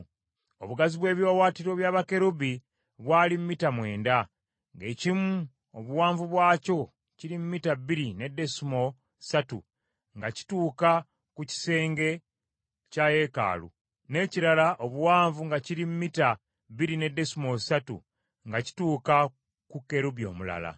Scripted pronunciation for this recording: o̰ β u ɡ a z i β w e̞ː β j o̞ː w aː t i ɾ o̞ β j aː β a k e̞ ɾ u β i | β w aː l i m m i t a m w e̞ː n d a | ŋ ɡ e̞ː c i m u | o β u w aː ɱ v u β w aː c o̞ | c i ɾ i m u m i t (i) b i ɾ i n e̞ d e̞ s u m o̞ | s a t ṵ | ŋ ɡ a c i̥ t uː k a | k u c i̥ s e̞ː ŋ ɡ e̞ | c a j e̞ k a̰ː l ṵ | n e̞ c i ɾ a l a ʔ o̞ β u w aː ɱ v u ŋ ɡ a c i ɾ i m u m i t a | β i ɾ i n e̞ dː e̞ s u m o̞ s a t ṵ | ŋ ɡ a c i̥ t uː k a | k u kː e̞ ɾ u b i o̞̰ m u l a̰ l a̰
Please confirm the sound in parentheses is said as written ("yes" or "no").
no